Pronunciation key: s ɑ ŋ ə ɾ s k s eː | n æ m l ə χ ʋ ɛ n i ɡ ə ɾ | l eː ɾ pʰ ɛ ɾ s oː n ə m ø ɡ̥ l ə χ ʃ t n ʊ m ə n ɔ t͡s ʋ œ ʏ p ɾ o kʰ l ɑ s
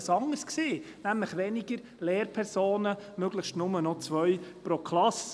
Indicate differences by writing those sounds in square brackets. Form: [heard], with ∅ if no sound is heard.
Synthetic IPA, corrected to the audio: s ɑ ŋ ə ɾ s k s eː | n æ m l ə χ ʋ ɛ n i ɡ ə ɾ | l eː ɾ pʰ ɛ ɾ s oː n ə m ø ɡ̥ l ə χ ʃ t n ʊ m ə n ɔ t͡s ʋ œ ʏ p ɾ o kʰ l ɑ s

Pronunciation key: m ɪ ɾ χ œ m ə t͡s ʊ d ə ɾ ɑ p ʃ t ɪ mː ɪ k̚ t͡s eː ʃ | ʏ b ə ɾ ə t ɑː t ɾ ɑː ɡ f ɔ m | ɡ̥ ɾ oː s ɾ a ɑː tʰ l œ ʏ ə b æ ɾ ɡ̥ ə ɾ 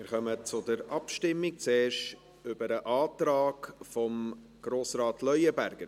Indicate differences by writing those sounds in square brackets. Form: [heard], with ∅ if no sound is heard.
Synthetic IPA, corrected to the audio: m ɪ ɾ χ œ m ə t͡s ʊ d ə ɾ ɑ p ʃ t ɪ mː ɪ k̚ t͡s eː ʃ | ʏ b ə ɾ ə [ʔ] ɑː t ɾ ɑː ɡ f ɔ m | ɡ̥ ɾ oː s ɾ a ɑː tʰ l œ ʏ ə b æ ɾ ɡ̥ ə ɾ

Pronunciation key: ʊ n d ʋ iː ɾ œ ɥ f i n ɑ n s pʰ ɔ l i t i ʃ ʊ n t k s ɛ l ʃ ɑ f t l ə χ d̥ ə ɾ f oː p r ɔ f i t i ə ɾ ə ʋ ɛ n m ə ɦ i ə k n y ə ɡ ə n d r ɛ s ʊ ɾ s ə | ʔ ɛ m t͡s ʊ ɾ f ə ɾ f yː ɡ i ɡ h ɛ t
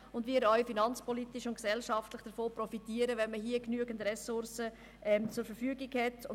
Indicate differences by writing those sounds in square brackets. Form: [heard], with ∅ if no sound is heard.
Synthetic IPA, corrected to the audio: ʊ n d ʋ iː ɾ œ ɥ f i n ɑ n [t͡s] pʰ ɔ l i t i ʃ ʊ n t k s ɛ l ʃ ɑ f t l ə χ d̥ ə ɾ f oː p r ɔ f i t i ə ɾ ə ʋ ɛ n m ə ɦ i ə k n y ə ɡ ə n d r ɛ s ʊ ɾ s ə | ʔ ɛ m t͡s ʊ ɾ f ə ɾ f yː ɡ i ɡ h ɛ t

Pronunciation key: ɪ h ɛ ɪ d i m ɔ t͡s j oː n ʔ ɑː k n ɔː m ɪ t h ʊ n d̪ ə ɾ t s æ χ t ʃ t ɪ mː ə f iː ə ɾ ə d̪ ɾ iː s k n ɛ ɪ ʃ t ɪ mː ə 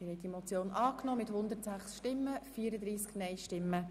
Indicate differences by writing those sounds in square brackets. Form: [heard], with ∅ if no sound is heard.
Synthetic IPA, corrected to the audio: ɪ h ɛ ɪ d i m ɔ t͡s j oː n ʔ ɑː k n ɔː m ɪ t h ʊ n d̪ ə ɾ t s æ χ [s] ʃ t ɪ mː ə f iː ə ɾ ə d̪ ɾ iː s k n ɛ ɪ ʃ t ɪ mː ə

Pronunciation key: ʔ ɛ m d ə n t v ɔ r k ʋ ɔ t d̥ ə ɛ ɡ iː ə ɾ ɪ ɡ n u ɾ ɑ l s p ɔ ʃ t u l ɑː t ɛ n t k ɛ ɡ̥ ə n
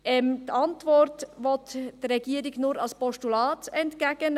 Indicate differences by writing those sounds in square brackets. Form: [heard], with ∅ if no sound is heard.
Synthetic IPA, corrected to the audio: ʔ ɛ m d [ɑ] n t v ɔ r [t] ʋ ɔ t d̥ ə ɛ ɡ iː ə ɾ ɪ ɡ n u ɾ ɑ l s p ɔ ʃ t u l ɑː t ɛ n t k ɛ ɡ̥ ə n

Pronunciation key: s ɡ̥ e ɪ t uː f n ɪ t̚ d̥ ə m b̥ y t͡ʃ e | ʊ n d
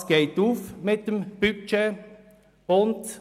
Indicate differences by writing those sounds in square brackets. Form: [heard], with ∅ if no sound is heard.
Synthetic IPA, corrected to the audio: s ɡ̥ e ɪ t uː f [m] ɪ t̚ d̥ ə m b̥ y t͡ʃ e | ʊ n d

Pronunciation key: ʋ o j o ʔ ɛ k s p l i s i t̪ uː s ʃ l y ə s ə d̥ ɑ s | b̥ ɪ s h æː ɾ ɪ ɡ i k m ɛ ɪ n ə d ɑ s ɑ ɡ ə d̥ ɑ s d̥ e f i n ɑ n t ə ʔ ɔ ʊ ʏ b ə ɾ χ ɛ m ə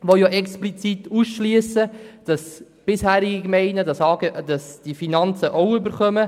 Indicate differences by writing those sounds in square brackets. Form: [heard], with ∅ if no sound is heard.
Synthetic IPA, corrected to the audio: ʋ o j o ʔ ɛ k s p l i [t͡s] i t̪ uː s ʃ l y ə s ə d̥ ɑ s | b̥ ɪ s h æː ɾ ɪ ɡ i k m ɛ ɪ n ə d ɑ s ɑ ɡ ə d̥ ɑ s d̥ [i] f i n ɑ n [t͡s] ə ʔ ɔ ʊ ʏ b ə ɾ χ [œ] m ə

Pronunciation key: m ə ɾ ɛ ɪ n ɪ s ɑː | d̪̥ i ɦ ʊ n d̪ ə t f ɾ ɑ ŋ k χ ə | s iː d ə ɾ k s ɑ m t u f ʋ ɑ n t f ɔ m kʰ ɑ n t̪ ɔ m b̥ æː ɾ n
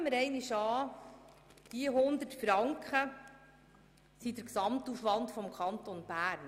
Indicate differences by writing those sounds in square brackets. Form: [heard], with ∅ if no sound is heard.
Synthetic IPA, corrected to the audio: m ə ɾ ɛ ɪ n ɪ [ʃ] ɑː | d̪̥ i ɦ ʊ n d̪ ə t f ɾ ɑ ŋ k χ ə | s [i] d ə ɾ k s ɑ m t u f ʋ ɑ n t f ɔ m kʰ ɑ n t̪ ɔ [n] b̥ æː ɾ n

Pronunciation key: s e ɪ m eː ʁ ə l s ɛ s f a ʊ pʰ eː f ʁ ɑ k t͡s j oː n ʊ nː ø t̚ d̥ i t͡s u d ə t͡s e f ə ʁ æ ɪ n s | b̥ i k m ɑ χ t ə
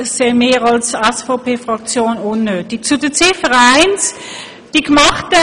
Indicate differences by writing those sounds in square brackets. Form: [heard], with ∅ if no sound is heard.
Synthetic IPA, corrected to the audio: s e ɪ m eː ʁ [ɑ] l s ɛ s f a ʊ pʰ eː f ʁ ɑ k t͡s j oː n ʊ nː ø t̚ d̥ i t͡s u d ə t͡s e f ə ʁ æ ɪ n s | [d̥] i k m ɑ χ t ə

